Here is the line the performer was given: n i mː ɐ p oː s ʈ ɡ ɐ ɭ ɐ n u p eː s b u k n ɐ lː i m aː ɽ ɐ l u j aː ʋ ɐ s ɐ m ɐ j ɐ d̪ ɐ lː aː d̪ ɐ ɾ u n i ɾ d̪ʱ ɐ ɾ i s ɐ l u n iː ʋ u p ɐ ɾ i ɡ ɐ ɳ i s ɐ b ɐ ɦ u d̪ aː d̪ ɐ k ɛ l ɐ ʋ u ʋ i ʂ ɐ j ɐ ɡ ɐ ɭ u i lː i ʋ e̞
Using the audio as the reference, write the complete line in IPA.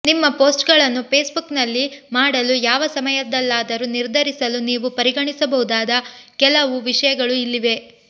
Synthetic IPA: n i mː ɐ p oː s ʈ ɡ ɐ ɭ ɐ nː u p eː s b u k n ɐ lː i m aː ɽ ɐ l u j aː ʋ ɐ s ɐ m ɐ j ɐ d̪ ɐ lː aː d̪ ɐ ɾ u n i ɾ d̪ʱ ɐ ɾ i s ɐ l u n iː ʋ u p ɐ ɾ i ɡ ɐ ɳ i s ɐ b ɐ ɦ u d̪ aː d̪ ɐ k ɛ l ɐ ʋ u ʋ i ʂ ɐ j ɐ ɡ ɐ ɭ u i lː i ʋ e̞